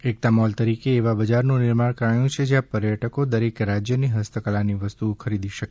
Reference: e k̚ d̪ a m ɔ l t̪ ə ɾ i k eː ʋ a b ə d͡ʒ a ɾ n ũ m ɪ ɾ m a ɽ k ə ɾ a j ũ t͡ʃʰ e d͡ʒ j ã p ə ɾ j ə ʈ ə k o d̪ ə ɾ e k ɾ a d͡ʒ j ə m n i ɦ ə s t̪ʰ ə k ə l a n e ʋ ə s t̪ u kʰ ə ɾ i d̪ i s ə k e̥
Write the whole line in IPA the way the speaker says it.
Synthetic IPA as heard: e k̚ t̪ a m ɔ l t̪ ə ɾ i k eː ʋ a b ə d͡ʒ a ɾ n ũ n ɪ ɾ m a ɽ k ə ɾ a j ũ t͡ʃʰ e d͡ʒ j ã p ə ɾ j ə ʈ ə k o d̪ ə ɾ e k ɾ a d͡ʒ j ə n i ɦ ə s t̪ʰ ə k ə l a n i ʋ ə s t̪ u kʰ ə ɾ i d̪ i ʃ ə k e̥